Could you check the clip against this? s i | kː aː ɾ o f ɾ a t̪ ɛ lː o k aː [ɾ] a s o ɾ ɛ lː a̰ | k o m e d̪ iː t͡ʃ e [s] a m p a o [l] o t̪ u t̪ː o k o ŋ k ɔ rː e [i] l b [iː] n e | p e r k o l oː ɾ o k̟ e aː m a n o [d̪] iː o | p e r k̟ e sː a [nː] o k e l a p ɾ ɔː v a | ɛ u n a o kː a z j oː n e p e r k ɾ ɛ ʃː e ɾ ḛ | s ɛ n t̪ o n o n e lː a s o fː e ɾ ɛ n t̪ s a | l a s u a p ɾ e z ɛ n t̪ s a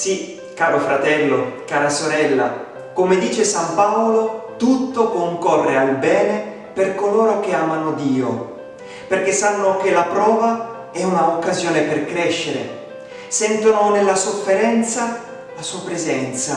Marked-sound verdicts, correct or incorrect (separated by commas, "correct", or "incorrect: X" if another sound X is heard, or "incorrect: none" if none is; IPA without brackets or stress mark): correct, correct, correct, incorrect: a, incorrect: ɛː, correct, correct